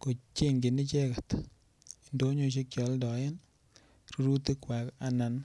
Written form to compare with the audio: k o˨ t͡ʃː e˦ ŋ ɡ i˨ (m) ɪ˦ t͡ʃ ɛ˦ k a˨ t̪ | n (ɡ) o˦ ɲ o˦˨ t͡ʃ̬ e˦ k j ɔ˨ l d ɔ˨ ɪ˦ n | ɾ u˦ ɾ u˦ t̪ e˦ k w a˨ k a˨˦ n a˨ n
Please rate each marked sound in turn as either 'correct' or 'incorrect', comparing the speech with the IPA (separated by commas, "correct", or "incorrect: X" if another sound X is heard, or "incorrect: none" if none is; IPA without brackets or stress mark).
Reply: incorrect: n, incorrect: d